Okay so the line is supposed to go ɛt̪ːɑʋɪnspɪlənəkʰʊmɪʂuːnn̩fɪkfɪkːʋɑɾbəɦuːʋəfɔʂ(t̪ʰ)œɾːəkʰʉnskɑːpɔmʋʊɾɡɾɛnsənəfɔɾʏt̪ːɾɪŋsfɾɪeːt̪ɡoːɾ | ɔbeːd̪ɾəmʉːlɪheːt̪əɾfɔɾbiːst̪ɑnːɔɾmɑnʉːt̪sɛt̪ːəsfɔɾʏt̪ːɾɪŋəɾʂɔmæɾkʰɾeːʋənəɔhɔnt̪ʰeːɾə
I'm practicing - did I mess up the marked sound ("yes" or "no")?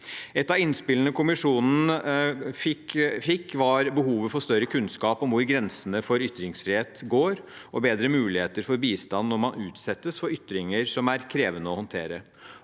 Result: yes